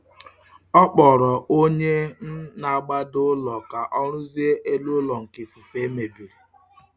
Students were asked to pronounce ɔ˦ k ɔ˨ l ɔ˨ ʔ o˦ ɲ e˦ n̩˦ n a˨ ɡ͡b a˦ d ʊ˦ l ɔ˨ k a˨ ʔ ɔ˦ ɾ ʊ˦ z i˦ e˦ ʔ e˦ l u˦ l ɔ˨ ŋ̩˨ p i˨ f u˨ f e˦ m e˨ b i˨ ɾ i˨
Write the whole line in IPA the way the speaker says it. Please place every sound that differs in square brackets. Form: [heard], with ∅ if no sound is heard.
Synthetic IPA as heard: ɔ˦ [k͡p] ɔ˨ [ɾ] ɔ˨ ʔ o˦ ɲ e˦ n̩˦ n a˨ ɡ͡b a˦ d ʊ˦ l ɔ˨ k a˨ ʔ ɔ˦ ɾ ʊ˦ z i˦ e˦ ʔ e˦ l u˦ l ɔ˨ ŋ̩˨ [k] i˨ f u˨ f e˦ m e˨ b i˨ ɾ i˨